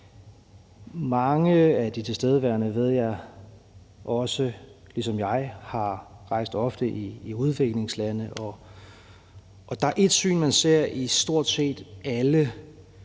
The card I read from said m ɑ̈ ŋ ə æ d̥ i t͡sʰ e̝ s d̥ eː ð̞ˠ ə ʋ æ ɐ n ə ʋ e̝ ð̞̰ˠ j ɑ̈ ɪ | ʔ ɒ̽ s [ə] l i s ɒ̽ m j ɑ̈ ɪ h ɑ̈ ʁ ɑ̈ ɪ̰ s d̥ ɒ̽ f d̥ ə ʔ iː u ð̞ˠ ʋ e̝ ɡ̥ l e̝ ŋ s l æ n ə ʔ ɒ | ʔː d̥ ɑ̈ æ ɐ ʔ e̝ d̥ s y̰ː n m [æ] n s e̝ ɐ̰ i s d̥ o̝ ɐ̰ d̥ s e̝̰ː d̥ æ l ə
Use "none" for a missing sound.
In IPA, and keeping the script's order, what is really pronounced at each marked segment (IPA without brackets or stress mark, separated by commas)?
ə, æ